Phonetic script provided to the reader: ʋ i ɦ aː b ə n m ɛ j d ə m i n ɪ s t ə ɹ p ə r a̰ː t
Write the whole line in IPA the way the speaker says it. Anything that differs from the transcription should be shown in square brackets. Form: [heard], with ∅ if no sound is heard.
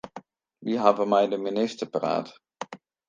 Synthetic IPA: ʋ i ɦ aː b ə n m ɛ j d ə m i n ɪ s t ə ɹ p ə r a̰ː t